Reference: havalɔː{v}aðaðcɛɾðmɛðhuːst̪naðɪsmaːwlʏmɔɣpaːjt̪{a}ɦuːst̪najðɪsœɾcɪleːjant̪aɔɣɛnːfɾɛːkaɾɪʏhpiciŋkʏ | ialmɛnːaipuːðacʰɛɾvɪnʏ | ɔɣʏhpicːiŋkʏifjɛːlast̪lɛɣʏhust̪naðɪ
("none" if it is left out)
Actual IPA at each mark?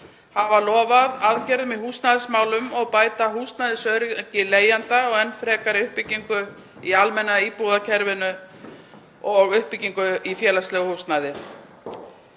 v, a

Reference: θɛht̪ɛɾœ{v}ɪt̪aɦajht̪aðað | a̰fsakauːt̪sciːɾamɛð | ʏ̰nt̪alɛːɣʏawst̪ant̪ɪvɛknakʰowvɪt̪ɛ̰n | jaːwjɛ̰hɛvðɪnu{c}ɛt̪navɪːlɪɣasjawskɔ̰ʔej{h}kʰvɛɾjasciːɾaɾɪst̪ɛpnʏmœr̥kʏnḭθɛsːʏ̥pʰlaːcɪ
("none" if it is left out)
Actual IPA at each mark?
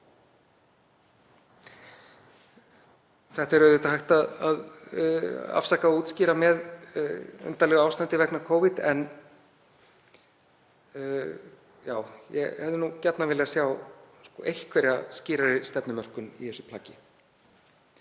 ð, c, h

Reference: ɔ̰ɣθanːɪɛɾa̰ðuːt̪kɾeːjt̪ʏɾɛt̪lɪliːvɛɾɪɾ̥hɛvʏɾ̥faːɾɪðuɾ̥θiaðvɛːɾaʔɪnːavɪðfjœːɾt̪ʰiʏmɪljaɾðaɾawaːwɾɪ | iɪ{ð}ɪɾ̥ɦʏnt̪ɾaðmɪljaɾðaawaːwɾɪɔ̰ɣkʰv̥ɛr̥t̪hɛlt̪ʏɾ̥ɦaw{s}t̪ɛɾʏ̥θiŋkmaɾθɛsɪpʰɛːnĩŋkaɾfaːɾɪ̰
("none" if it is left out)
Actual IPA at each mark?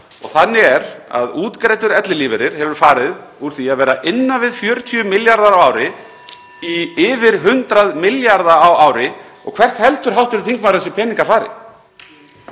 v, h

